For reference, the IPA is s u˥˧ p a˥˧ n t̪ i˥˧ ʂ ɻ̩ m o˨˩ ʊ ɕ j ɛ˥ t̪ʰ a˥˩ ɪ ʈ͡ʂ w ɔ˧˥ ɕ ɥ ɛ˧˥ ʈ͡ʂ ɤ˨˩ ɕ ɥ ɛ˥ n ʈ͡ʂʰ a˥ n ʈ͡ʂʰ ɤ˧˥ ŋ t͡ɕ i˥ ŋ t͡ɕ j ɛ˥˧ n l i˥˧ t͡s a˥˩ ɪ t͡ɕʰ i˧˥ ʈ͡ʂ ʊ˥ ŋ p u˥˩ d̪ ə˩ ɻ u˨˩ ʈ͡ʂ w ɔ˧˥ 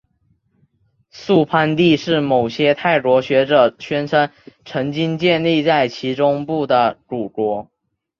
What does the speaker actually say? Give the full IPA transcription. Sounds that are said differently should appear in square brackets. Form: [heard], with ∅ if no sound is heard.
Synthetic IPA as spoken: s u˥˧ [pʰ] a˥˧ n t̪ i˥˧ ʂ ɻ̩ m o˨˩ ʊ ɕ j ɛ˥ t̪ʰ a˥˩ ɪ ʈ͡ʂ w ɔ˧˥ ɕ ɥ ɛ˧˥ ʈ͡ʂ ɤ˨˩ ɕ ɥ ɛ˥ n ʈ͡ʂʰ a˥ n ʈ͡ʂʰ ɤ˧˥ ŋ t͡ɕ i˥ ŋ t͡ɕ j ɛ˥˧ n l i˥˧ t͡s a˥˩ ɪ t͡ɕʰ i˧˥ ʈ͡ʂ ʊ˥ ŋ p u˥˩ d̪ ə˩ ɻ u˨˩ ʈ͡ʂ w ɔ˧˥